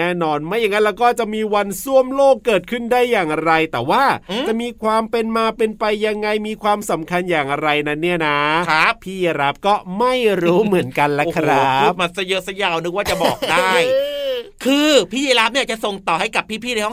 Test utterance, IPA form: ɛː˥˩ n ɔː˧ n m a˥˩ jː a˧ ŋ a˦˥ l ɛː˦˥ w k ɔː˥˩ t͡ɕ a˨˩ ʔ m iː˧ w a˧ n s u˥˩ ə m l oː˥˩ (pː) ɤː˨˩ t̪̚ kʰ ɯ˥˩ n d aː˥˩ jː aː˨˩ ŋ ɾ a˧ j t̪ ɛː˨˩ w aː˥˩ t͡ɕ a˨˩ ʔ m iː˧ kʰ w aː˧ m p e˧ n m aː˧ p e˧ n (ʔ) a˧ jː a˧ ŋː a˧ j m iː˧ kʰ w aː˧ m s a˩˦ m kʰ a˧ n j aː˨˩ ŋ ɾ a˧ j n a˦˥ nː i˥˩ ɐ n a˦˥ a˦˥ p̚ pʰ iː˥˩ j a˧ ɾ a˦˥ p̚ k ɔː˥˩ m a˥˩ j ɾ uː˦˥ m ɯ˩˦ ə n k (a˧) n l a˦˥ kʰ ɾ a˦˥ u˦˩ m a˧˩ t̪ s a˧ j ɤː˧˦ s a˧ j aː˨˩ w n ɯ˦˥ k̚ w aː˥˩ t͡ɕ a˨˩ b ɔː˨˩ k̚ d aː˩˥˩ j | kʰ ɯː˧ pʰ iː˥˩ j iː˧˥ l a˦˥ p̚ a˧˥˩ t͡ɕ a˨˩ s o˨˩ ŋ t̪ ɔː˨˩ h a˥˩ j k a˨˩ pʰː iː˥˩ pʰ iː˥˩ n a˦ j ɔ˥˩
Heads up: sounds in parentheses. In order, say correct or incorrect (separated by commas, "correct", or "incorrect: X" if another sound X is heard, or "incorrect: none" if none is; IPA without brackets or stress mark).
incorrect: kː, incorrect: p, correct